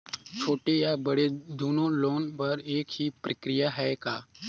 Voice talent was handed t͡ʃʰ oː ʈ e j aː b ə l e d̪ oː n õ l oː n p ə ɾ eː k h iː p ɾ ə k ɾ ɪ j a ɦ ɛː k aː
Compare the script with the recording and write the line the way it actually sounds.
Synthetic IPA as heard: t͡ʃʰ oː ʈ e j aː b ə ɽ e d̪ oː n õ l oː n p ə ɾ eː k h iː p ɾ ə k ɾ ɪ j a ɦ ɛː k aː